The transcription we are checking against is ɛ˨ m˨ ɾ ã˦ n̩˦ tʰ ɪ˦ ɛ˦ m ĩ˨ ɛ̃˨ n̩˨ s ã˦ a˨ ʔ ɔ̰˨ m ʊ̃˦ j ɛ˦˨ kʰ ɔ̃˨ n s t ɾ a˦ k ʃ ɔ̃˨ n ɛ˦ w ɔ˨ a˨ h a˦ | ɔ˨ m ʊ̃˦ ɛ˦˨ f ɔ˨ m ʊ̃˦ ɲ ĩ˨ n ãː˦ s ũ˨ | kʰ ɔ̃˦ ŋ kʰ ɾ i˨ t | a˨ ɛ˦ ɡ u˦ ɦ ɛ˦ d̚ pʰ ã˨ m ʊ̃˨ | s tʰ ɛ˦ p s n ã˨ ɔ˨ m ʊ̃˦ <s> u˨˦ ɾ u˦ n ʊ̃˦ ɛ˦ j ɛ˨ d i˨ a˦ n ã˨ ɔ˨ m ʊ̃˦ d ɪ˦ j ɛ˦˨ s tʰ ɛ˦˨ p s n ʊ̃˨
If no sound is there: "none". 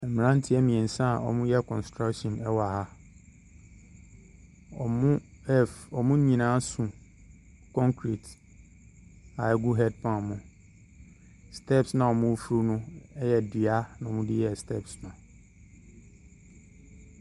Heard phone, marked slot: f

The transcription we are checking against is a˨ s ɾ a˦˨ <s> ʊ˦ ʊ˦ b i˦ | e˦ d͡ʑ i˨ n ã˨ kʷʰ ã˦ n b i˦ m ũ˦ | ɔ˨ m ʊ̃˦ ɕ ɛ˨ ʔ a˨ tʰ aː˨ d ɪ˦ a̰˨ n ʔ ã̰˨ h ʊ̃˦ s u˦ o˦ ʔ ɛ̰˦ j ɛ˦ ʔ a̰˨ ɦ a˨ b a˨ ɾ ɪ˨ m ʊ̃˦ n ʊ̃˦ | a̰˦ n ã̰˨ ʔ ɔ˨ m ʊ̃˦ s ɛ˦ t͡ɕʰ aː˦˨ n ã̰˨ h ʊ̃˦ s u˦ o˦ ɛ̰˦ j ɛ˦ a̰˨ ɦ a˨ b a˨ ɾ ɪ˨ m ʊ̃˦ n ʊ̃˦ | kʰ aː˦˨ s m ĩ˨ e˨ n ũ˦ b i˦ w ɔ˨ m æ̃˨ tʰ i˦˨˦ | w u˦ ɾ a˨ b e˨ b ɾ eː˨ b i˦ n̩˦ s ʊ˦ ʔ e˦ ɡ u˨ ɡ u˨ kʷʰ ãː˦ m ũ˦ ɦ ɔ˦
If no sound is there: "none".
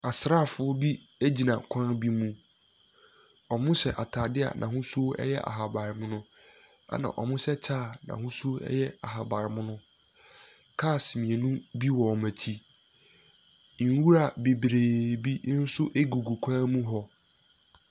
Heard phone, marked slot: f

